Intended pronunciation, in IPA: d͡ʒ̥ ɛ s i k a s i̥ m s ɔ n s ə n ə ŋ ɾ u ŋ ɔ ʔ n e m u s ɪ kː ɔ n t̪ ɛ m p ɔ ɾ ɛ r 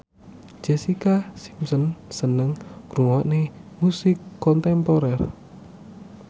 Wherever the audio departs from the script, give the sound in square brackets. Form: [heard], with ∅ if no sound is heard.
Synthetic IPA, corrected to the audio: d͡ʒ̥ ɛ s i k a s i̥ m s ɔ n s ə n ə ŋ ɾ u ŋ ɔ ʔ n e m u s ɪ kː ɔ n t̪ ɛ m p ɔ ɾ ɛ r